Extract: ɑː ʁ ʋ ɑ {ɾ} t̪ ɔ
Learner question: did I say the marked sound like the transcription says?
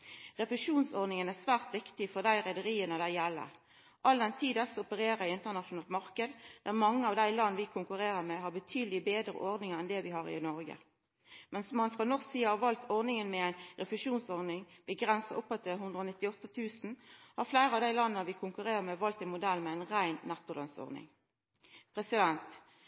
no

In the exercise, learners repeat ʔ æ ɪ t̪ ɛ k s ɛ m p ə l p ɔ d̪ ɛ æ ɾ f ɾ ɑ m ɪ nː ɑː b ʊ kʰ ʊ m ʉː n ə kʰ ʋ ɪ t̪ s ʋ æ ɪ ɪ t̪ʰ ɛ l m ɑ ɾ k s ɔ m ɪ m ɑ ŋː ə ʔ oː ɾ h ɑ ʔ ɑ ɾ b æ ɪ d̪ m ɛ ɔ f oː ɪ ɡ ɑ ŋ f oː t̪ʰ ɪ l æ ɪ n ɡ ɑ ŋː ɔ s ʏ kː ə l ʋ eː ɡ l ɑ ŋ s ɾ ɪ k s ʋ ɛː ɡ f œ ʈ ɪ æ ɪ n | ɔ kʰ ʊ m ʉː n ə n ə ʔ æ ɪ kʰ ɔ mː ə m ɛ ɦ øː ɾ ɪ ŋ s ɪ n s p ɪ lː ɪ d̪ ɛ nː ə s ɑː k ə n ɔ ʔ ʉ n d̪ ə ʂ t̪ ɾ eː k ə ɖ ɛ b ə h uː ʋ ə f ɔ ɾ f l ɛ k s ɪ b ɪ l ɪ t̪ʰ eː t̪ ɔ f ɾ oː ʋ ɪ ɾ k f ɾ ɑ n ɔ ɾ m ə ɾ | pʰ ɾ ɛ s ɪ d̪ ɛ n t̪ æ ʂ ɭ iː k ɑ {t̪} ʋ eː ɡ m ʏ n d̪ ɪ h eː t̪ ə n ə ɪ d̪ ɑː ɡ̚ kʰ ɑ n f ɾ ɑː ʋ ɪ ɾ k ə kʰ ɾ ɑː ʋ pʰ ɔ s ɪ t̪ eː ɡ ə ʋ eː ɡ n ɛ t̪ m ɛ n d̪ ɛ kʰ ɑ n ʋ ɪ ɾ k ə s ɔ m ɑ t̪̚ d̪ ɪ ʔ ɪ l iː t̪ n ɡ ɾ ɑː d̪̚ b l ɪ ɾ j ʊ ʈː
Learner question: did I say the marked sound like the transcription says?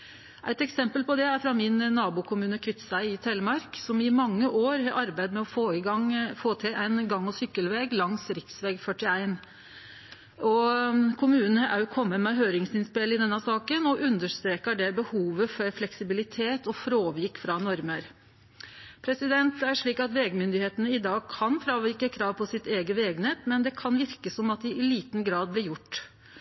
yes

